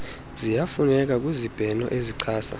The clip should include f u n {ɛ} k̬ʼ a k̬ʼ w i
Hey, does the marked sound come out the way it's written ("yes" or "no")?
yes